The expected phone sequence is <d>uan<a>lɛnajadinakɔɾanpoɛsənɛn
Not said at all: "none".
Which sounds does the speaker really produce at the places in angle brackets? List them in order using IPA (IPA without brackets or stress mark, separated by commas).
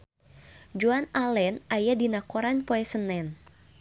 d͡ʒ, a